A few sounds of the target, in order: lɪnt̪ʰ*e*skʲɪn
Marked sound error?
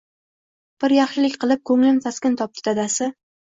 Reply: yes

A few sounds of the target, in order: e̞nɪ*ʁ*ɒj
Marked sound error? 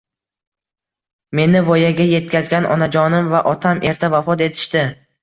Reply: yes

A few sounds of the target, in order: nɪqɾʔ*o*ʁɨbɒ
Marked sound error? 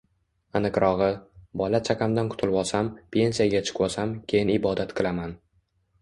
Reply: yes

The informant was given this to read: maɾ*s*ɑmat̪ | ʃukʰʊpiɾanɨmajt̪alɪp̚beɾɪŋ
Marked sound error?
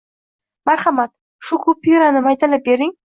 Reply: yes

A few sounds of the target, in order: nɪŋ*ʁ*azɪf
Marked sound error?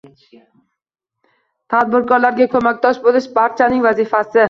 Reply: yes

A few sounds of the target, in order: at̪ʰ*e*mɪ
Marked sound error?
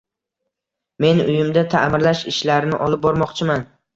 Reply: yes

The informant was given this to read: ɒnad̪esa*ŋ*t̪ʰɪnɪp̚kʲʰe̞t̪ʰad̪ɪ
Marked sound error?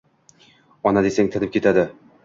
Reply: no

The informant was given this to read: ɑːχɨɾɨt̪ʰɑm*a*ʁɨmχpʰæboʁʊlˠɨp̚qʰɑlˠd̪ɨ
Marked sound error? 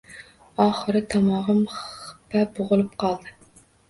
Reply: yes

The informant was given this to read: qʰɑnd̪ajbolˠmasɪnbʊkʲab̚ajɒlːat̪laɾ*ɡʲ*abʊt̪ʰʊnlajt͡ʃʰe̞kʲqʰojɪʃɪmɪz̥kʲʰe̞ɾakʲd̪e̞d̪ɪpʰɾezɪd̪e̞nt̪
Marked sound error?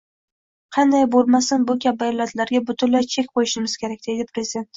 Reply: no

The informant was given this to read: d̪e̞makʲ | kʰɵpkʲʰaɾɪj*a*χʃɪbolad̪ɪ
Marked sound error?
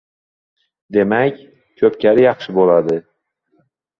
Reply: yes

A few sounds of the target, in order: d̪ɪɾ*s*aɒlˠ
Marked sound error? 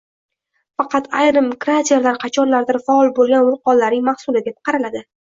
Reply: yes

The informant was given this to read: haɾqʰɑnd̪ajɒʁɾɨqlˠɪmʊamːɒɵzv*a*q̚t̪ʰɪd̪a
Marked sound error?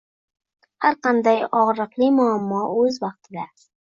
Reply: yes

